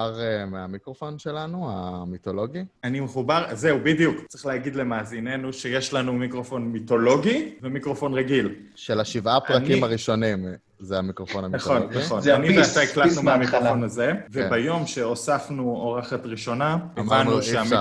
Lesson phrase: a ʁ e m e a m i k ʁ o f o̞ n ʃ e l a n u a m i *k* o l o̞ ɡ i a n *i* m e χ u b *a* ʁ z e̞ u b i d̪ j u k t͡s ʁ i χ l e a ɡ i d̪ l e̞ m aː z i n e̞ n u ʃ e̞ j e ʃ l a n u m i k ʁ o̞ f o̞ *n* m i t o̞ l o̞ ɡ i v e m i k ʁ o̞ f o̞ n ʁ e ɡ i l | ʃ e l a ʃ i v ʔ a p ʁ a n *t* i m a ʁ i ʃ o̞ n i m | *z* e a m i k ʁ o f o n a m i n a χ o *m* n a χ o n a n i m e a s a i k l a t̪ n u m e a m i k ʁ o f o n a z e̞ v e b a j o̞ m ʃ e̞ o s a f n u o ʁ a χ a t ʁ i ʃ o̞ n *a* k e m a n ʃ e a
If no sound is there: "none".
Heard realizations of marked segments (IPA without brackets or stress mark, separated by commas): t, i, a, n, k, z, n, a